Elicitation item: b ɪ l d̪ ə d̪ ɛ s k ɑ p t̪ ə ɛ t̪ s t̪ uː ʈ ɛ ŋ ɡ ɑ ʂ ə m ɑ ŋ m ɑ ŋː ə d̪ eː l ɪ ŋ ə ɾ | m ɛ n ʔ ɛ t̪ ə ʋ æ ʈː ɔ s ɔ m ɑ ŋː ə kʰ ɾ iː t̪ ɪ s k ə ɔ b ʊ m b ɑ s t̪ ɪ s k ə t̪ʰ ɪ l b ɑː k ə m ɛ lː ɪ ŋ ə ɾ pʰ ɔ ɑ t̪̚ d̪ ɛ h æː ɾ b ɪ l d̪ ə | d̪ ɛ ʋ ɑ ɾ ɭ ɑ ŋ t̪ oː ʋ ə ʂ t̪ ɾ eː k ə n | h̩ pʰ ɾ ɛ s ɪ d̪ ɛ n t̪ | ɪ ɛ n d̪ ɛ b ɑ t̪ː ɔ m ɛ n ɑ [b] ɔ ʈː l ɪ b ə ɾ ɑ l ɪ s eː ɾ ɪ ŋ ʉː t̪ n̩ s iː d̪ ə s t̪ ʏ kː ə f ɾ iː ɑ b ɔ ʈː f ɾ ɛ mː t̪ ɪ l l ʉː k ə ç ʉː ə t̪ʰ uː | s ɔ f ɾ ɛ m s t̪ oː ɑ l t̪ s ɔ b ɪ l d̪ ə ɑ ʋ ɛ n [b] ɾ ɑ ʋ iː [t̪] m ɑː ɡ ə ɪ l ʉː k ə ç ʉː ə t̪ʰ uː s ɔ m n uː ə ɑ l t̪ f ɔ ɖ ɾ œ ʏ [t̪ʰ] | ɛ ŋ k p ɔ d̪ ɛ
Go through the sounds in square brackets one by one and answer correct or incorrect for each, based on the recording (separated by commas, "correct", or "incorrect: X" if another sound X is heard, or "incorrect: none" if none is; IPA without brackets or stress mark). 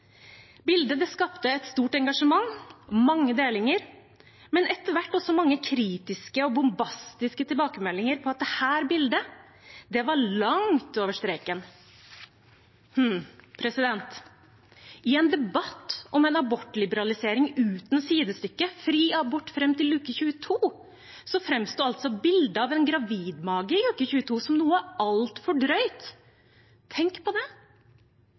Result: correct, incorrect: ɡ, incorrect: d̪, correct